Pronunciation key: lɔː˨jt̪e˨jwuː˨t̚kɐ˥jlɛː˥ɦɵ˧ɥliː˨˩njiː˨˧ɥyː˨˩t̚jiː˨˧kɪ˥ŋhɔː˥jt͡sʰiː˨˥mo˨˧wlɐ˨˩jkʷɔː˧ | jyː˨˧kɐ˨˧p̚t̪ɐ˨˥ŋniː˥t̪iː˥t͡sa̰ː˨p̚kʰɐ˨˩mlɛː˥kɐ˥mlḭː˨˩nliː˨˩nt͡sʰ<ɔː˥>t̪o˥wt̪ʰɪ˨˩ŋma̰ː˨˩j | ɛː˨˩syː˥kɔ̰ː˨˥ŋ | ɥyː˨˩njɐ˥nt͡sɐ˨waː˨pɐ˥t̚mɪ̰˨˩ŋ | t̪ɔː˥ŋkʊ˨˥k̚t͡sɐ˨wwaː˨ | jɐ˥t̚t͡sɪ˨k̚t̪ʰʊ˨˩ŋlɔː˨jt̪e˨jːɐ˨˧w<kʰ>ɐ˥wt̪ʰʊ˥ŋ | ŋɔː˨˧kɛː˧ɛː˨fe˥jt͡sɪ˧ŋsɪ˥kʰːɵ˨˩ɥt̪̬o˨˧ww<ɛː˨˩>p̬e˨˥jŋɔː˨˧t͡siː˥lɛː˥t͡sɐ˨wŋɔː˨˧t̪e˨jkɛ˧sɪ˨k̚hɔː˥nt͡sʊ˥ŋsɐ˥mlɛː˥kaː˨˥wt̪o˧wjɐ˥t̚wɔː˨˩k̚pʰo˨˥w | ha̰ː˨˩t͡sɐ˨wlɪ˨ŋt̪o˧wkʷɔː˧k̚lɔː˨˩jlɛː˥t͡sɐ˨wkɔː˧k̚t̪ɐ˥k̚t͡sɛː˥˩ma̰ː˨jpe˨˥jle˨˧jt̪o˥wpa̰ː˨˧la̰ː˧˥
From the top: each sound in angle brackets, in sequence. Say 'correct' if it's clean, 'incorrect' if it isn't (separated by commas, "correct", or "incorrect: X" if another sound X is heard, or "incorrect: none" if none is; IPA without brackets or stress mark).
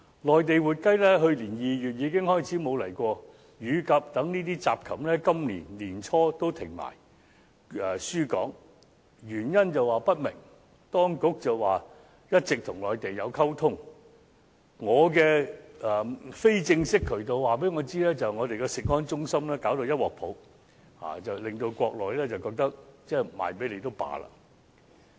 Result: correct, correct, incorrect: aː˨˩